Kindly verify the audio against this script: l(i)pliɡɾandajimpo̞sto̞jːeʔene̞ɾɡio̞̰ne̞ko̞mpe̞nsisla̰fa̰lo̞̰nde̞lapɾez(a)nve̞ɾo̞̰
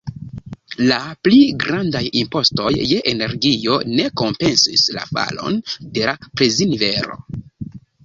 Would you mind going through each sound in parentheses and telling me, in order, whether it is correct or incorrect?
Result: incorrect: a, incorrect: i

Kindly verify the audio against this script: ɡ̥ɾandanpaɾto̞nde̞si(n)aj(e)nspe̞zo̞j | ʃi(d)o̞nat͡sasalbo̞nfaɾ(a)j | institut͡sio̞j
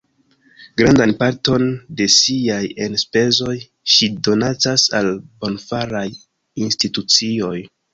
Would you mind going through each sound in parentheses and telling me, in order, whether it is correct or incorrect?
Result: incorrect: none, correct, correct, correct

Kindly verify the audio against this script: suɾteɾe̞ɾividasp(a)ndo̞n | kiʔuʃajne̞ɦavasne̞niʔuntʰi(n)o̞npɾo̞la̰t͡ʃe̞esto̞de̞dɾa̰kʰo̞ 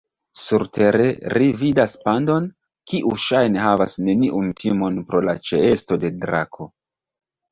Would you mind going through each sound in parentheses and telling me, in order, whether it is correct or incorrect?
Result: correct, incorrect: m

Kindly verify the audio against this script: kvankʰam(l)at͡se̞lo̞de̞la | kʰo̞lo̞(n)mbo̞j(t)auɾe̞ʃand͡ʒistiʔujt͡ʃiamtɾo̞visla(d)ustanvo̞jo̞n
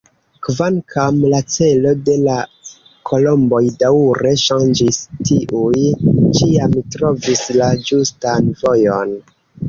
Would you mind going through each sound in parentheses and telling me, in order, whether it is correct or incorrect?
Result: correct, incorrect: none, incorrect: d, incorrect: d͡ʒ

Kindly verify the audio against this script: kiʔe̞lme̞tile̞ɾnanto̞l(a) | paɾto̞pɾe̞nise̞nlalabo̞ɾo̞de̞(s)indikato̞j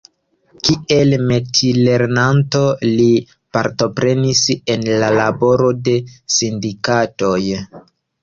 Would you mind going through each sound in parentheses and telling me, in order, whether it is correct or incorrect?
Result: incorrect: i, correct

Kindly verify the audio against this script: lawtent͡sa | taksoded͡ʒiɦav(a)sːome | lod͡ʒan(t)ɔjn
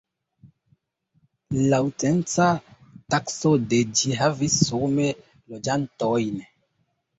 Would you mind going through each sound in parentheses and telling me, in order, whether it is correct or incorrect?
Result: incorrect: i, correct

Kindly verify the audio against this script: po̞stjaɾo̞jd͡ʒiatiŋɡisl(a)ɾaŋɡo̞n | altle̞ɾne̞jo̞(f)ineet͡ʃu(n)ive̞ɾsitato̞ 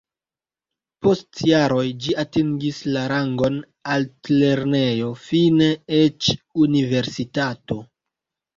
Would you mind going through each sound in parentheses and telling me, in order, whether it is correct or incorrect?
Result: correct, correct, correct

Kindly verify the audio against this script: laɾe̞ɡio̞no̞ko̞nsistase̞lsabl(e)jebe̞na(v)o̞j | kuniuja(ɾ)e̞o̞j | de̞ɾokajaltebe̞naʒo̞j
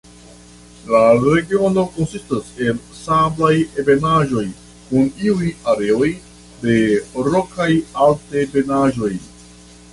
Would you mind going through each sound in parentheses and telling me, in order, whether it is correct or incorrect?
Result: incorrect: a, incorrect: ʒ, correct

